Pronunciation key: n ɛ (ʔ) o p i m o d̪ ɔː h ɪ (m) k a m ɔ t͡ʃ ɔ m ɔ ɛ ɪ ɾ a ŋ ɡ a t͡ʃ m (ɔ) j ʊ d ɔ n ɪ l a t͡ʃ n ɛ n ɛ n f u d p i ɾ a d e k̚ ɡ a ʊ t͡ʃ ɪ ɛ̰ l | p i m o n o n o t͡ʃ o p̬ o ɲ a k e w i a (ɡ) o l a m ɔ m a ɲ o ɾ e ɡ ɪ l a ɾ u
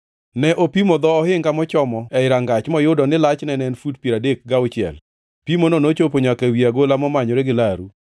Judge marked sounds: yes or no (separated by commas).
yes, no, yes, yes